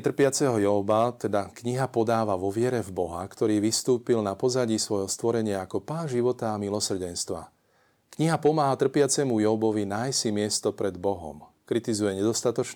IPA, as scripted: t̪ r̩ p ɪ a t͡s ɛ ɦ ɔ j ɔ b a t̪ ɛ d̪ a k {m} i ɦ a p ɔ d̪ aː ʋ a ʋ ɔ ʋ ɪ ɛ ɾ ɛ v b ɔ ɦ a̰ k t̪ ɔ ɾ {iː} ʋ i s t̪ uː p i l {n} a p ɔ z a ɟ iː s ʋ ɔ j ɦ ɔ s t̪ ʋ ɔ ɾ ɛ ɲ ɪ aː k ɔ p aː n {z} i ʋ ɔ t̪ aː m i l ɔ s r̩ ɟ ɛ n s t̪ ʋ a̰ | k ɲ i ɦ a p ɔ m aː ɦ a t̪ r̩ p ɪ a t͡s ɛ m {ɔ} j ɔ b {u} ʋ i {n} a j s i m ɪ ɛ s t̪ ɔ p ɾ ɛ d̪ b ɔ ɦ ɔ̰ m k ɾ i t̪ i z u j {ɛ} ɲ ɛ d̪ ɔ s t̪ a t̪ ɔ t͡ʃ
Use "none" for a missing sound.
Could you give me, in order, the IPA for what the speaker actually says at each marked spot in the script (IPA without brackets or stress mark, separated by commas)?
ɲ, iː, n, ʒ, u, ɔ, n, ɛ